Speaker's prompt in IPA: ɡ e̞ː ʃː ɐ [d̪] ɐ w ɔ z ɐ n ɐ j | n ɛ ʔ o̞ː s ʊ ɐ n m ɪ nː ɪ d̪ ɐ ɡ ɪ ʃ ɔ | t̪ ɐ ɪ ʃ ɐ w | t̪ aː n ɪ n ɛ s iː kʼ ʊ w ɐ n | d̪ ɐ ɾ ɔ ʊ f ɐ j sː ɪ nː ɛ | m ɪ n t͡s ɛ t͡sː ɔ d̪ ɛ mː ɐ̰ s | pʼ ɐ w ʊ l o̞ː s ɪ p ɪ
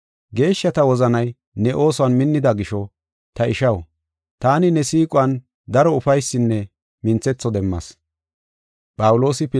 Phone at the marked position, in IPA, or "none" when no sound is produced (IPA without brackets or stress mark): t̪